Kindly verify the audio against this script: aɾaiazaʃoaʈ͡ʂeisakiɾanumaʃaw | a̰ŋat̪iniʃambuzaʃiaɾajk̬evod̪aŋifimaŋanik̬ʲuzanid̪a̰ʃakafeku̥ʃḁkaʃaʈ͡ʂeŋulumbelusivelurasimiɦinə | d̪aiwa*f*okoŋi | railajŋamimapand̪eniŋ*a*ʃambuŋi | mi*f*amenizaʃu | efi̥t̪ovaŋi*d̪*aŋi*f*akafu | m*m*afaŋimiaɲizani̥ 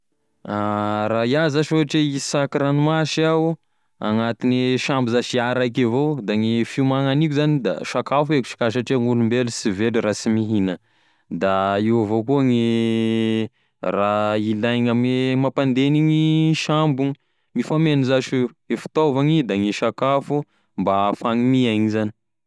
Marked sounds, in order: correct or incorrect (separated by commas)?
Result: incorrect, incorrect, correct, correct, incorrect, incorrect